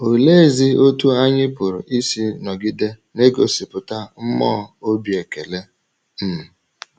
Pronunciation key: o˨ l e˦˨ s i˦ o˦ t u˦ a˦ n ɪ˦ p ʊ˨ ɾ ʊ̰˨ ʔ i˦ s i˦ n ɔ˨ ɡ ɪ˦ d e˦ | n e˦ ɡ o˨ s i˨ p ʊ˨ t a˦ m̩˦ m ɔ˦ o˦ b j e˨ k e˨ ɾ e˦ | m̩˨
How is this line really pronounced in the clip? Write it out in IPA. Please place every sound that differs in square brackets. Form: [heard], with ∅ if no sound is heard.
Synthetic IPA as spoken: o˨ l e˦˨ [z] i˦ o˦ t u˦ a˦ [ɲ] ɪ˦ p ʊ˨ ɾ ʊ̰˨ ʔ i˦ s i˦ n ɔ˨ ɡ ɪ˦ d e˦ | n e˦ ɡ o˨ s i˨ p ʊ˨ t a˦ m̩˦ m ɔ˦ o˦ b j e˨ k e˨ [l] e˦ | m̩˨